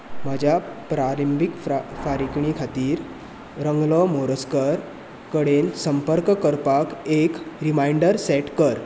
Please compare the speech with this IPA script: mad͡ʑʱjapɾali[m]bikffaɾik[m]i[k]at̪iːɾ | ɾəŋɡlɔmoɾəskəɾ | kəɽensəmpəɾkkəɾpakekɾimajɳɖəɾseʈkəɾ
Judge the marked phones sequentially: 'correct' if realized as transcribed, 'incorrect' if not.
correct, incorrect, incorrect

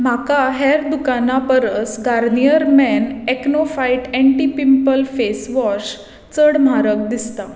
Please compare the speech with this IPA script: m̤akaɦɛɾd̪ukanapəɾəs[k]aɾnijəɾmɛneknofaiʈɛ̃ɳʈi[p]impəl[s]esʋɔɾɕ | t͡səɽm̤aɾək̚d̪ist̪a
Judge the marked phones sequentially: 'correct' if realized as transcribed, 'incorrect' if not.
incorrect, correct, incorrect

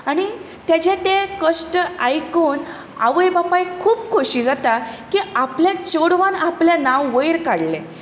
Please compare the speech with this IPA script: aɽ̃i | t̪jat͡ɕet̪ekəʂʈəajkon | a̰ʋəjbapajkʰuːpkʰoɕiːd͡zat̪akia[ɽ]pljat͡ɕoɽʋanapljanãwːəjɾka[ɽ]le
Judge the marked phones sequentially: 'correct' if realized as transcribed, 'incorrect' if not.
incorrect, correct

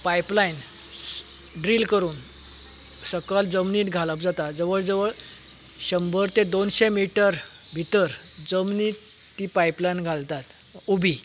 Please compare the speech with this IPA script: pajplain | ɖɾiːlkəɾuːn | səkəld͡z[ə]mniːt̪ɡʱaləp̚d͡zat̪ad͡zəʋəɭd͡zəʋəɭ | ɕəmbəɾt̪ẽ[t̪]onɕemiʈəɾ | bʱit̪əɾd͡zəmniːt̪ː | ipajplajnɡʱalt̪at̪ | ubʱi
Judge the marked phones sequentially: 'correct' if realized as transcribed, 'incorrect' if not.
correct, incorrect

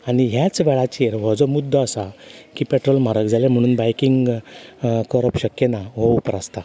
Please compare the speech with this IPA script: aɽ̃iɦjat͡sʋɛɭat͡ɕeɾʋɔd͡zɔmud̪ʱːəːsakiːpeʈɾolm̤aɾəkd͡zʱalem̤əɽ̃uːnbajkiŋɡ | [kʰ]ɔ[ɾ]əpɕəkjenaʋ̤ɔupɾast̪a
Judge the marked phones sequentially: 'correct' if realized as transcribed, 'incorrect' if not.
incorrect, correct

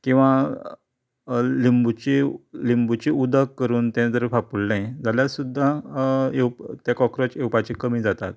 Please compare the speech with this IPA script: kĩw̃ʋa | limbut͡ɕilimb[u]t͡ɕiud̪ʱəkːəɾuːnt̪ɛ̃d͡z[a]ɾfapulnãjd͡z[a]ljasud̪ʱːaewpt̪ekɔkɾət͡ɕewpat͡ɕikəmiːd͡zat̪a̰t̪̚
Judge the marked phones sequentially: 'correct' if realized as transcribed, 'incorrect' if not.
correct, incorrect, correct

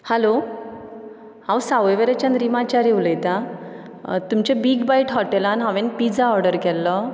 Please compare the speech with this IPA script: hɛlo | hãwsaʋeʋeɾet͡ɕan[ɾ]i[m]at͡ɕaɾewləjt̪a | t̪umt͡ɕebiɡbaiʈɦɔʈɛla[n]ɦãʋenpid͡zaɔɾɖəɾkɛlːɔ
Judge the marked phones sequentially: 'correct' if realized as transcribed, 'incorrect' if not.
correct, correct, correct

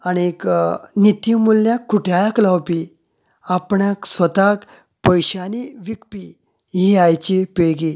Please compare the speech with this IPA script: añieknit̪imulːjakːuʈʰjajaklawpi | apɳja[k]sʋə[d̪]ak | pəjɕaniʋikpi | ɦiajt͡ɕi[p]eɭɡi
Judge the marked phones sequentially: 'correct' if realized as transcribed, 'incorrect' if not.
correct, incorrect, correct

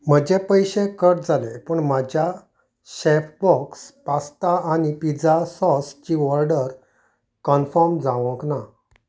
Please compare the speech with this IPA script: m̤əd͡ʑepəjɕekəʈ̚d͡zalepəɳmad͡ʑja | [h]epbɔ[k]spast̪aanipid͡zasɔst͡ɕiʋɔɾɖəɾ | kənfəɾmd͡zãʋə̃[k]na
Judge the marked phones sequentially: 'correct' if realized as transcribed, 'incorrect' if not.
incorrect, correct, correct

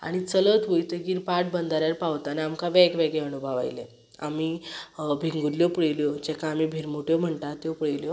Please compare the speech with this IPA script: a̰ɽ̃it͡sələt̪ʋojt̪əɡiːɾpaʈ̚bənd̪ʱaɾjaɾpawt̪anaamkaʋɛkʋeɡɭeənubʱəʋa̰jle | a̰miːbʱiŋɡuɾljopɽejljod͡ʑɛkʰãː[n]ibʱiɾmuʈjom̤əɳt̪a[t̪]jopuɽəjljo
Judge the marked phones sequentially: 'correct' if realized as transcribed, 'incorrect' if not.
incorrect, correct

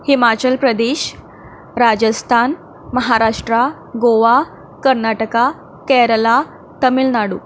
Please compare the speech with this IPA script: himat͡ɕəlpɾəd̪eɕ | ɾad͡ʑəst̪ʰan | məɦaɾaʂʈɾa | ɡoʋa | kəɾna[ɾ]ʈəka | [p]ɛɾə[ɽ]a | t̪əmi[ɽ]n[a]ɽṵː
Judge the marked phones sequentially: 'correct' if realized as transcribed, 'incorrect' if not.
incorrect, incorrect, incorrect, incorrect, correct

